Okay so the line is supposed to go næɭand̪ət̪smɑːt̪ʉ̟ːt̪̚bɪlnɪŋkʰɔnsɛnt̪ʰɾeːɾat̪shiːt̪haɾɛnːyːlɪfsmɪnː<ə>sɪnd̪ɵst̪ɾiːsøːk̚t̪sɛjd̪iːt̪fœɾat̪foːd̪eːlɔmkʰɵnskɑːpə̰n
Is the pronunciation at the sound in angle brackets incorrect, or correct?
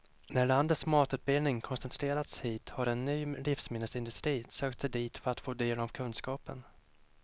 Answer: correct